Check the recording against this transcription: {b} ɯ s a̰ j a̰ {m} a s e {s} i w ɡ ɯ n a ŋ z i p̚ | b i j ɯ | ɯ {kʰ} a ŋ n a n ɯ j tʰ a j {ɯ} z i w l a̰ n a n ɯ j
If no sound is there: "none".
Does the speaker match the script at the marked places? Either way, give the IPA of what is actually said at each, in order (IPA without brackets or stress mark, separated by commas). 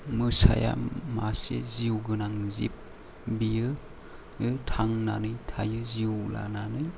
m, m, z, tʰ, ɯ